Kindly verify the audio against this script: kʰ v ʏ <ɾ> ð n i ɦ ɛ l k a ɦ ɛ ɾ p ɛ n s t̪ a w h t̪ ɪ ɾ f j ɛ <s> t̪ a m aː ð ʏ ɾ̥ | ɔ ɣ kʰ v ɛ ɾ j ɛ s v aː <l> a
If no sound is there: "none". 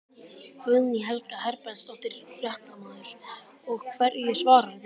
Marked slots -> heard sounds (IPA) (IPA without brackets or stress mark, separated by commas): none, h, ɾ